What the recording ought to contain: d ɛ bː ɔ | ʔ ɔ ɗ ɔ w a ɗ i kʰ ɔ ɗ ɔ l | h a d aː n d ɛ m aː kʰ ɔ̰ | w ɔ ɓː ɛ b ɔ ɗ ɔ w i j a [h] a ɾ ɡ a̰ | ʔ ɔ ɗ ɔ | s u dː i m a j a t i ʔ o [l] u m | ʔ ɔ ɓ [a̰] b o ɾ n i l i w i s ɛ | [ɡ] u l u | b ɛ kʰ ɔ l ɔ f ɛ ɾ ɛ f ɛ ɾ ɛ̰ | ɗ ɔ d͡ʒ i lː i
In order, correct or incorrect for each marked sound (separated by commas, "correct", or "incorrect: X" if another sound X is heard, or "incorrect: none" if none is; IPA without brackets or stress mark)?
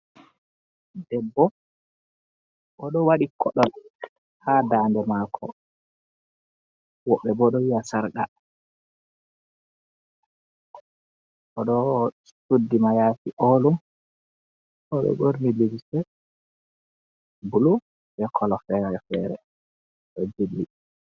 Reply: incorrect: s, correct, incorrect: ɛ̰, incorrect: b